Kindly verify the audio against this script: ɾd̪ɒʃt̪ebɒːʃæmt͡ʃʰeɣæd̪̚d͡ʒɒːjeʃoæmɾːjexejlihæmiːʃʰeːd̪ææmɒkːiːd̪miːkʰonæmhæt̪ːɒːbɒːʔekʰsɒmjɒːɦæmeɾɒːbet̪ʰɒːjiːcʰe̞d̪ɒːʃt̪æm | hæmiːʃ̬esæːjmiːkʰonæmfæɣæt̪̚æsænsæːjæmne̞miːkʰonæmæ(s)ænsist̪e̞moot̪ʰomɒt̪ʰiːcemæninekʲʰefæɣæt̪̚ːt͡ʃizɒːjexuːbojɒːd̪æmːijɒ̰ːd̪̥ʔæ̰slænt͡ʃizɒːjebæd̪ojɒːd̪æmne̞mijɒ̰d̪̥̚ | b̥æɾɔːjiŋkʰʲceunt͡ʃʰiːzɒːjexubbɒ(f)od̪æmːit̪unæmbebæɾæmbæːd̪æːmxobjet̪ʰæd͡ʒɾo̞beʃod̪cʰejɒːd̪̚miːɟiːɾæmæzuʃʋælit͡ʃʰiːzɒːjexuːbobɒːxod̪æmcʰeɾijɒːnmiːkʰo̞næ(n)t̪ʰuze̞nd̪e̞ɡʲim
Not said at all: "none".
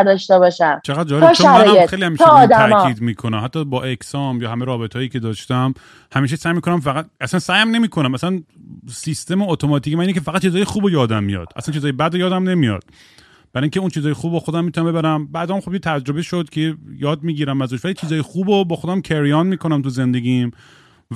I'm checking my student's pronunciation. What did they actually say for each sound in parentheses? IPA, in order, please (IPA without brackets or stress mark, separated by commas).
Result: s, x, m